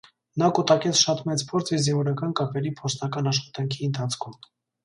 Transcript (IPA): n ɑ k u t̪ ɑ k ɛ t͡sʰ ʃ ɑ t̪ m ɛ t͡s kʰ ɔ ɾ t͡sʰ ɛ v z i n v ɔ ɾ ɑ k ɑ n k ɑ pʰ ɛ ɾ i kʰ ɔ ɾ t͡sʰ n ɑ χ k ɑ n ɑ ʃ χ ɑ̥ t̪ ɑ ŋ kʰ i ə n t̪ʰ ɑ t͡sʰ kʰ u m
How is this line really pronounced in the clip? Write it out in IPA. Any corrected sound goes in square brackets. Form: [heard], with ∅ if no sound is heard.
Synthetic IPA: n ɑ k u t̪ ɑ k ɛ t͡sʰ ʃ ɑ t̪ m ɛ t͡s [pʰ] ɔ ɾ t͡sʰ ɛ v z i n v ɔ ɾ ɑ k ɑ n k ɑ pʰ ɛ ɾ i [pʰ] ɔ ɾ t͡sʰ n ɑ [∅] k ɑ n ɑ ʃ χ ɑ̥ t̪ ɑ ŋ kʰ i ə n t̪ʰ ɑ t͡sʰ kʰ u m